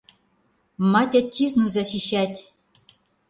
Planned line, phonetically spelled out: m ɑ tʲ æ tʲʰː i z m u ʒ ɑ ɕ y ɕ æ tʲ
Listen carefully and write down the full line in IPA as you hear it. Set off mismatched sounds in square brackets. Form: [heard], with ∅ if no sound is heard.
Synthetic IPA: m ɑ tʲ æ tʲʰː i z [n] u [z] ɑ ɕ [i] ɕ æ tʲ